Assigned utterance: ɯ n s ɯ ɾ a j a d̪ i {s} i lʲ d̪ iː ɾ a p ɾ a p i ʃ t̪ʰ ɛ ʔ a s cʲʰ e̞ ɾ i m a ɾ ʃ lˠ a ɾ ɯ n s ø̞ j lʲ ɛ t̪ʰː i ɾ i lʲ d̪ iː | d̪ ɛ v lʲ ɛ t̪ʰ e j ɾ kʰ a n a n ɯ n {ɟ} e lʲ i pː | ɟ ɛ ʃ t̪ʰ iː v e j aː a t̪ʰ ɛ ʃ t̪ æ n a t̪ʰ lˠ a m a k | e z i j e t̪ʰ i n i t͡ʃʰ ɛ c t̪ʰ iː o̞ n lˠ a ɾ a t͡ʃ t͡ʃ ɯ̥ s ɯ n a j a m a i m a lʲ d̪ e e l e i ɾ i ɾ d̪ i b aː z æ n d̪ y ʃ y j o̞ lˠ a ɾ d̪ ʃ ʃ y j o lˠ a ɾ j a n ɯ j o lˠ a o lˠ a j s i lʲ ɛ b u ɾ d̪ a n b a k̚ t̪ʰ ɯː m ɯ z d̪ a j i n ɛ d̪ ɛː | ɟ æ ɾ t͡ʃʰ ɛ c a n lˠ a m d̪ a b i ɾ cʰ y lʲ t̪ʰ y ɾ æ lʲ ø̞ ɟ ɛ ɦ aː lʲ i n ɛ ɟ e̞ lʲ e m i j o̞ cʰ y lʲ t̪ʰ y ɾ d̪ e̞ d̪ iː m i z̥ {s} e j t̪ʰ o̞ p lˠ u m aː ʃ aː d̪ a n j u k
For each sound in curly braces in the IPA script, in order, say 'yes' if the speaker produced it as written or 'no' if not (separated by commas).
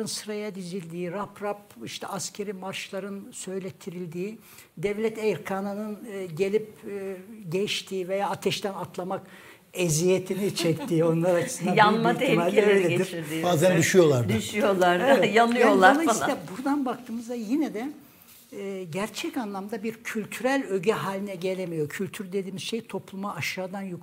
no, yes, no